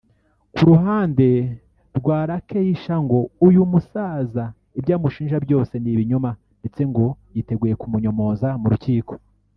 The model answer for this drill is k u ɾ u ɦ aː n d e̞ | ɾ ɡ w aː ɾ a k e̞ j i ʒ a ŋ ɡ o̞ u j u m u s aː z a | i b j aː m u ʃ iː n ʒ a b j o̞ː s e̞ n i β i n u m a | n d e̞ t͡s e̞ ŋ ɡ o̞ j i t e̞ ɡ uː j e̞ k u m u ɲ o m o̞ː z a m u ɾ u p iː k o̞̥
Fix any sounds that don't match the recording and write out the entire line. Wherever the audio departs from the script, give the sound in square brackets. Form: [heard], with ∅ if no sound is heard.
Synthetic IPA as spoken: k u ɾ u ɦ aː n d e̞ | ɾ ɡ w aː ɾ a k e̞ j i [ʃ] a ŋ ɡ o̞ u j u m u s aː z a | i b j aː m u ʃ iː n ʒ a b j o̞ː s e̞ n i β i [ɲ] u m a | n d e̞ t͡s e̞ ŋ ɡ o̞ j i t e̞ ɡ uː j e̞ k u m u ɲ o m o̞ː z a m u ɾ u [c] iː k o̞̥